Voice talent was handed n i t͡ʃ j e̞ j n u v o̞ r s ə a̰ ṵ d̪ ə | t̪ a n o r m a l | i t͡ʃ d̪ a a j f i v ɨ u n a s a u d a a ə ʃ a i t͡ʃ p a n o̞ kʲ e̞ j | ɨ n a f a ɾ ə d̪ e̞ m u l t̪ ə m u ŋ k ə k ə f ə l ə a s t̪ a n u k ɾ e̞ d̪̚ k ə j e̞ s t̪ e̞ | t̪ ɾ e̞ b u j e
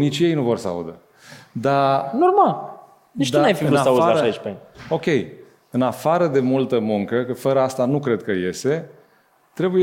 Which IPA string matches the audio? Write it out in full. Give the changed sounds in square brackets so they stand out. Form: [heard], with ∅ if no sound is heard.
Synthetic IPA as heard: n i t͡ʃ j e̞ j n u v o̞ r s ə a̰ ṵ d̪ ə | [d̪] a n o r m a l | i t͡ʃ d̪ a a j f i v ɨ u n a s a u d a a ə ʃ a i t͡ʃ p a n o̞ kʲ e̞ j | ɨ n a f a ɾ ə d̪ e̞ m u l t̪ ə m u ŋ k ə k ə f ə [ɾ] ə a s t̪ a n u k ɾ e̞ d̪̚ k ə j e̞ s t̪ e̞ | t̪ ɾ e̞ b u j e